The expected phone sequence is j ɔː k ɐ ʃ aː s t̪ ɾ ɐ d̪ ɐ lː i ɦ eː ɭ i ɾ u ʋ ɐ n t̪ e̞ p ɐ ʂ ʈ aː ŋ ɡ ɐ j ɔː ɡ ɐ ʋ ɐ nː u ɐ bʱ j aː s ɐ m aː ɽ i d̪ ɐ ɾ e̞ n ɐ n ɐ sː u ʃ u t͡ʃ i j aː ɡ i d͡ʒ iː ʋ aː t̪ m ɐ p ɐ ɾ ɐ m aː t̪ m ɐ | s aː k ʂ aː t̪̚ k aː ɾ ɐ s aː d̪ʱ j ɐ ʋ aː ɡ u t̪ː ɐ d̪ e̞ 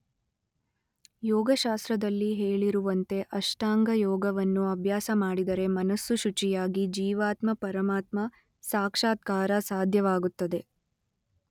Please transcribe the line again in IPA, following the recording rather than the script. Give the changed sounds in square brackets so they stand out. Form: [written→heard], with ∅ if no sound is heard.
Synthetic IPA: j ɔː [k→ɡ] ɐ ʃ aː s t̪ ɾ ɐ d̪ ɐ lː i ɦ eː ɭ i ɾ u ʋ ɐ n t̪ e̞ [p→ʔ] ɐ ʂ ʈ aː ŋ ɡ ɐ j ɔː ɡ ɐ ʋ ɐ nː u ɐ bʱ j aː s ɐ m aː ɽ i d̪ ɐ ɾ e̞ [n→m] ɐ n ɐ sː u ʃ u t͡ʃ i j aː ɡ i d͡ʒ iː ʋ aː t̪ m ɐ p ɐ ɾ ɐ m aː t̪ m ɐ | s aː k ʂ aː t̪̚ k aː ɾ ɐ s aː d̪ʱ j ɐ ʋ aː ɡ u t̪ː ɐ d̪ e̞